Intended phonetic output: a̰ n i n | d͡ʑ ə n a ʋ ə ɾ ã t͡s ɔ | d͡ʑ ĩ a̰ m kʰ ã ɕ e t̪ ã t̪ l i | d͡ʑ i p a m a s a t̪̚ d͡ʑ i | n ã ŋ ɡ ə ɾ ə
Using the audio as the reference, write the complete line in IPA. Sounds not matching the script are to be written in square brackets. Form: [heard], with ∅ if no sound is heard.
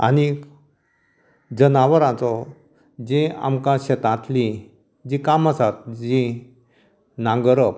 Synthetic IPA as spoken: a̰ n i [∅] | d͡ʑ ə n a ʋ ə ɾ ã t͡s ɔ | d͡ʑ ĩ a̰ m [k] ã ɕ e t̪ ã t̪ l i | d͡ʑ i [k] a m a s a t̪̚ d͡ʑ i | n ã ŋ ɡ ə ɾ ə